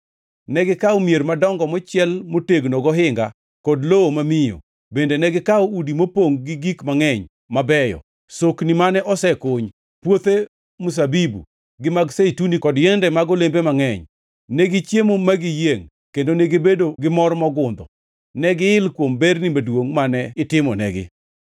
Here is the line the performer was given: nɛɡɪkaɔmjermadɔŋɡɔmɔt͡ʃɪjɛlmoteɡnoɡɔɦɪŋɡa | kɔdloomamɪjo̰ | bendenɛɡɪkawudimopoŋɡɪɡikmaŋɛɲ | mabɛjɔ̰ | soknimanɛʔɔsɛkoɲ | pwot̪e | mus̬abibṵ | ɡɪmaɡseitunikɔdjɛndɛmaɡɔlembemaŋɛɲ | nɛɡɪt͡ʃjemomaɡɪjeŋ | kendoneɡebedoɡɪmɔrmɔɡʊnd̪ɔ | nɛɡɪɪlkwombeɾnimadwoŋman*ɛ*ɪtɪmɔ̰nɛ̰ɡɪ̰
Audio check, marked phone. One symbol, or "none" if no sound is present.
ɛ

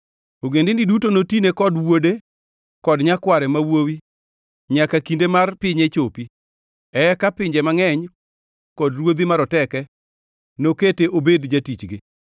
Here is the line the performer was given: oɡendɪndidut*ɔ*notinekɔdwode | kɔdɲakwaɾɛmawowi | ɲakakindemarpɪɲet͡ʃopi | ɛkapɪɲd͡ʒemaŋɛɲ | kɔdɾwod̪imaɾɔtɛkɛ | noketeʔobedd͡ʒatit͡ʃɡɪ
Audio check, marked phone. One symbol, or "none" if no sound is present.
o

